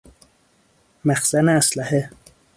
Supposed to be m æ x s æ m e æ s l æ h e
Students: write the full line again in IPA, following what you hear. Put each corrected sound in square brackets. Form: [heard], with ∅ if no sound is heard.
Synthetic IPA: m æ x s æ [n] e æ s l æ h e